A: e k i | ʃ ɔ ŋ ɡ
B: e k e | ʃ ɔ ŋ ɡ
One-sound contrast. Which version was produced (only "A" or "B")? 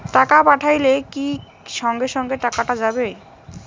A